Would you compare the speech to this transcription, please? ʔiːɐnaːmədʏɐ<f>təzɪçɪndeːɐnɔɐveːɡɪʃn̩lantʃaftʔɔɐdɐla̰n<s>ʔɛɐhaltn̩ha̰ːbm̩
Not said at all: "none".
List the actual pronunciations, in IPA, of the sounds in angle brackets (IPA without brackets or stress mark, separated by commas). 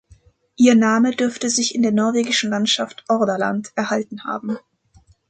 f, t